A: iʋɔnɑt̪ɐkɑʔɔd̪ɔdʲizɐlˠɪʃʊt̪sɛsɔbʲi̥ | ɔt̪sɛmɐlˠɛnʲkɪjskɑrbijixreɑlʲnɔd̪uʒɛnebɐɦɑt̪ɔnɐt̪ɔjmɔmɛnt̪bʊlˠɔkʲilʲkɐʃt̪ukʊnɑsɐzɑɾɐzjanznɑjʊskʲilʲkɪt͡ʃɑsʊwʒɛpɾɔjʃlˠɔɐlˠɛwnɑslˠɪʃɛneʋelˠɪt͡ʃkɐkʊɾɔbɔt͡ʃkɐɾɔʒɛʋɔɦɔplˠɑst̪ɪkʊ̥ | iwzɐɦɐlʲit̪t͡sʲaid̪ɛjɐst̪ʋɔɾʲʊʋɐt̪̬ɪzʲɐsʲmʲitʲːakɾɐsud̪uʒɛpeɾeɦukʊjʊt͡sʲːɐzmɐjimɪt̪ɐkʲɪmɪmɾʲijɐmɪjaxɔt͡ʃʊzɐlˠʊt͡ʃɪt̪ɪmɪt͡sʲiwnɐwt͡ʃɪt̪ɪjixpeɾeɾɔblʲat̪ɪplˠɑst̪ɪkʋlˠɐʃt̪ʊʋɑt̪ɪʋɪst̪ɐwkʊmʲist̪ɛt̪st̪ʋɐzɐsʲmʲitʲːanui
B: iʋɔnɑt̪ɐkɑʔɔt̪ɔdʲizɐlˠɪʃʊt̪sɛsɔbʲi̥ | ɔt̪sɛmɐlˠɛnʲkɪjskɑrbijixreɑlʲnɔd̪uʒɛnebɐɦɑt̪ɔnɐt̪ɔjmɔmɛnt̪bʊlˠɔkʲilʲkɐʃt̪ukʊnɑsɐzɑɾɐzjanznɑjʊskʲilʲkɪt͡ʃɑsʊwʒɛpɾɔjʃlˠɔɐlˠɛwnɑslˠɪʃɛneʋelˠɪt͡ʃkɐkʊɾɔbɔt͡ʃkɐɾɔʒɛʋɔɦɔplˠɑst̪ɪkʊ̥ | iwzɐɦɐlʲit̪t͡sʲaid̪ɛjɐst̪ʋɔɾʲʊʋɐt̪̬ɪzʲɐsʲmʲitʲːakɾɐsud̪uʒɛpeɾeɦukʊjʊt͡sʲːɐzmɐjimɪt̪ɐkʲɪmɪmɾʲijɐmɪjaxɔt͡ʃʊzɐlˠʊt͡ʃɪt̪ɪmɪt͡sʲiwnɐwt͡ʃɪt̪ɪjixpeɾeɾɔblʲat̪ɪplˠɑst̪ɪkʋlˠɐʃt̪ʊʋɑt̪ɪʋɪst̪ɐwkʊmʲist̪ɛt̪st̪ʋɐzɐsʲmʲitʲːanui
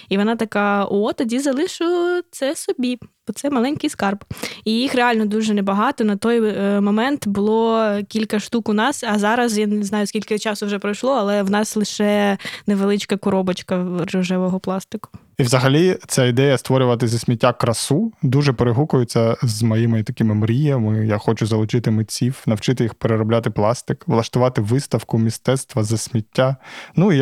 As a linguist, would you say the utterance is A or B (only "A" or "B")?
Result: B